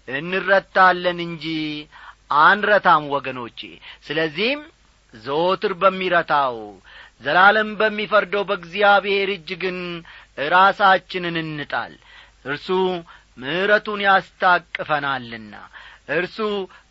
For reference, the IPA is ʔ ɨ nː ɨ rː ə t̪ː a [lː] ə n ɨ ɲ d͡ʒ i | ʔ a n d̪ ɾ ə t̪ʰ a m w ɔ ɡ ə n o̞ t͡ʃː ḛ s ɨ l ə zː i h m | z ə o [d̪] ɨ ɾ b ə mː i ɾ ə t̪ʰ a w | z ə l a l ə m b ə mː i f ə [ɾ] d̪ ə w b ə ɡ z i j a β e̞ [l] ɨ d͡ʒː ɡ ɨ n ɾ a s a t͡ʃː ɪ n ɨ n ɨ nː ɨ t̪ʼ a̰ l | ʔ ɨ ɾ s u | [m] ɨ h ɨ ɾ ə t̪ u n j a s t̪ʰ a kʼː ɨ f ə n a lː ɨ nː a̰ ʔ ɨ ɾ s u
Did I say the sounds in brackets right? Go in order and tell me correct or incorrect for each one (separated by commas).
correct, incorrect, correct, incorrect, correct